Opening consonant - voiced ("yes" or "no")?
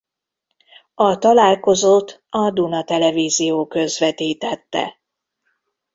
no